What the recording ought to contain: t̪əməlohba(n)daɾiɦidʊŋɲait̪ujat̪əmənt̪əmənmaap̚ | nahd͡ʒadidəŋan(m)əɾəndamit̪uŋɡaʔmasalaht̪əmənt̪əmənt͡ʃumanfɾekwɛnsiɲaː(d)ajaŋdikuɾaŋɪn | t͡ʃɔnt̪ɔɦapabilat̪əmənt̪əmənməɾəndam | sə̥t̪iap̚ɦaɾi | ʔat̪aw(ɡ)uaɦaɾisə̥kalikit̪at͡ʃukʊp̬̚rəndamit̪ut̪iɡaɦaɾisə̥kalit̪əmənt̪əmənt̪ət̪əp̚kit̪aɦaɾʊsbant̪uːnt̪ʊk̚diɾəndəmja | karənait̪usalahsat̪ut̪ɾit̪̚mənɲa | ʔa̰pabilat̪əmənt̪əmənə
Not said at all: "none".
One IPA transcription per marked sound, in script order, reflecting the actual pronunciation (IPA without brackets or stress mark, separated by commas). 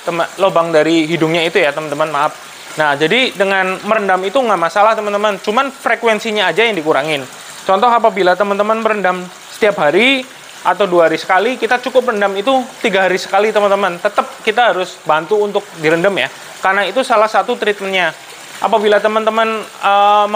ŋ, m, d͡ʒ, d